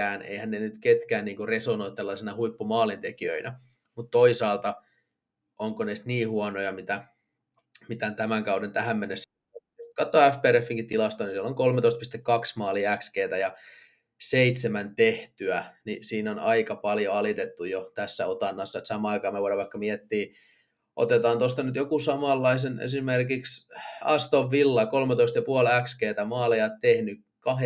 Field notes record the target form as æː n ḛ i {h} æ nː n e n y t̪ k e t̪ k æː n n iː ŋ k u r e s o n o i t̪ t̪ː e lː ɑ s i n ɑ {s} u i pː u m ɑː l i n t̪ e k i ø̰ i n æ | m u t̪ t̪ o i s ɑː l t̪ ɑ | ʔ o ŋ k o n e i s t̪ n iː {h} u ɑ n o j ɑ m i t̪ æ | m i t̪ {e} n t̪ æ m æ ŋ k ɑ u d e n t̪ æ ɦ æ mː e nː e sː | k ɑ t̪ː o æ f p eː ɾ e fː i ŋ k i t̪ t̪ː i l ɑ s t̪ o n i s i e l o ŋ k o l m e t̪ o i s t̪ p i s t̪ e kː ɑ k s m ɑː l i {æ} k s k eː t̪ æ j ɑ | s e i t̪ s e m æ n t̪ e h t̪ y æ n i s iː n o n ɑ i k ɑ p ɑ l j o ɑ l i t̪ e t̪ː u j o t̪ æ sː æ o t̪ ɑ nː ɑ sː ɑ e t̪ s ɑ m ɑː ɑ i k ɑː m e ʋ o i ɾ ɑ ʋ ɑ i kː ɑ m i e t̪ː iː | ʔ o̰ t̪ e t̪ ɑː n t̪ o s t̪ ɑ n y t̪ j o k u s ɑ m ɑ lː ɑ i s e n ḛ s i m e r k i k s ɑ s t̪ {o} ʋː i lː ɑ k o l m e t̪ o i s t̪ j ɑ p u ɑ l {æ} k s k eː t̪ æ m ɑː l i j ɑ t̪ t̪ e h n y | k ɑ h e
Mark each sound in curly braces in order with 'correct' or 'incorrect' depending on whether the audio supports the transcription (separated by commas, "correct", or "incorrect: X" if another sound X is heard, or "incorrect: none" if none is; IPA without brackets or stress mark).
correct, incorrect: h, correct, incorrect: æ, correct, correct, correct